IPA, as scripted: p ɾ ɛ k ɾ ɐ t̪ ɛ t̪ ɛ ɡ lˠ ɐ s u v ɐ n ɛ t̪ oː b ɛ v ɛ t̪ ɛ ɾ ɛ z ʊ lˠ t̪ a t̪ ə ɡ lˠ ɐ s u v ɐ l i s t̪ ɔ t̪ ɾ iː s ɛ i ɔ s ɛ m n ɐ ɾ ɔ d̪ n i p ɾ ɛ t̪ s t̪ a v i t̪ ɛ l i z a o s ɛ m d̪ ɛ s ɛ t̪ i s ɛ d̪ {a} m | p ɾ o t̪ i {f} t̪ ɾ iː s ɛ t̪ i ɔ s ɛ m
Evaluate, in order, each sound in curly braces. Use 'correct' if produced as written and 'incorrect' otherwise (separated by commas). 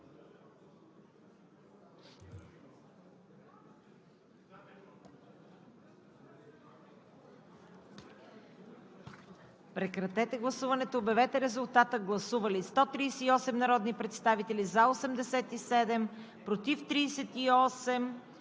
incorrect, correct